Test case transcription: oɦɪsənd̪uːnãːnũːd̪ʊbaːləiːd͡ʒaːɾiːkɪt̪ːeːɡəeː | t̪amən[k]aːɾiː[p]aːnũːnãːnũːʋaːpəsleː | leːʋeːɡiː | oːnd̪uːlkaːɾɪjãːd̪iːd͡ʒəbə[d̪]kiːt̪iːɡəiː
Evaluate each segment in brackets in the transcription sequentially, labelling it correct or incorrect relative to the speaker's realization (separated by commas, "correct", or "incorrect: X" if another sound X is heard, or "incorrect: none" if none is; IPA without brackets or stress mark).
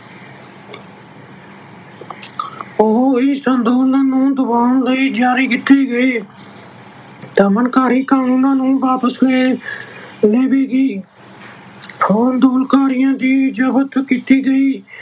correct, incorrect: k, incorrect: t̪